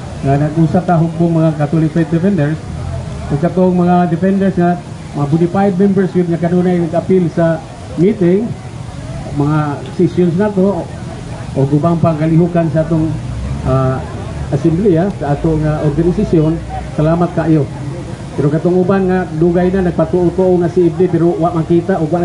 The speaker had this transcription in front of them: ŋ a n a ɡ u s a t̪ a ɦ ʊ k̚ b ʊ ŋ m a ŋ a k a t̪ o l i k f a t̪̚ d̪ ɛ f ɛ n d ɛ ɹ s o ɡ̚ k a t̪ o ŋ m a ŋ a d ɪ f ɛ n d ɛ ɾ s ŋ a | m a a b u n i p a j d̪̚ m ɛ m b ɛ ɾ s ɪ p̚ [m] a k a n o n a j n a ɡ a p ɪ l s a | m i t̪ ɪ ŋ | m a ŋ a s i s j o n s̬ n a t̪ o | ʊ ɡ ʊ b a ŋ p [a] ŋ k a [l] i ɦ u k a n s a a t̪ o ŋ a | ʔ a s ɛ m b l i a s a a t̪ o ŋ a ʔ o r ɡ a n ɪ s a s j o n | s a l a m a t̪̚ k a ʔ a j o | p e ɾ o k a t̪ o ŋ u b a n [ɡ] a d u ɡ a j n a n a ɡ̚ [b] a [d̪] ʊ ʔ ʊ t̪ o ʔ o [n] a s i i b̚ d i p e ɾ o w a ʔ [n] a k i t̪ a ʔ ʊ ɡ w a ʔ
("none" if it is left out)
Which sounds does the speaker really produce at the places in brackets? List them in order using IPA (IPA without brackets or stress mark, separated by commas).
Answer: ŋ, a, l, ŋ, p, t̪, ŋ, m